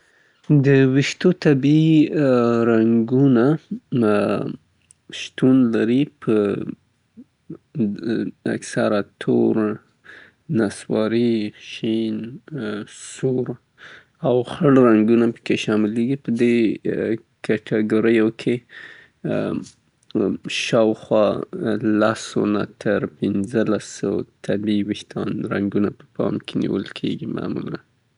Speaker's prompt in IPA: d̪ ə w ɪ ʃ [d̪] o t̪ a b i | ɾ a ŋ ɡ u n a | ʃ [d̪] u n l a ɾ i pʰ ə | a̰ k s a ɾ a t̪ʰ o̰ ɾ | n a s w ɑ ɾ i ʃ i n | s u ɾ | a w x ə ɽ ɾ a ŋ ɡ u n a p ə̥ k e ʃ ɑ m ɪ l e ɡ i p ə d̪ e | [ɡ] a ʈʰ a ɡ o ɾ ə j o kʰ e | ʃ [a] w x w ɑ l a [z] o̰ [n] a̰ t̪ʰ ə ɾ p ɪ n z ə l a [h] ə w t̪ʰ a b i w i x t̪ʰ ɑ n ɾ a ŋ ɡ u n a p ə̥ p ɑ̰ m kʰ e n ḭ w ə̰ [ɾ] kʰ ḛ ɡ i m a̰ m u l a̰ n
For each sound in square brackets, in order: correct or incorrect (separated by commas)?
incorrect, incorrect, incorrect, incorrect, incorrect, correct, incorrect, incorrect